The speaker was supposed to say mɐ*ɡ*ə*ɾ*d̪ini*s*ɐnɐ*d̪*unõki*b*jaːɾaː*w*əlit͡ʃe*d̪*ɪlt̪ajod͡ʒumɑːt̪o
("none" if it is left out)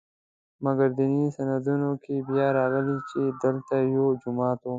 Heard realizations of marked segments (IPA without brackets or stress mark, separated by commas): ɡ, ɾ, s, d̪, b, ɣ, d̪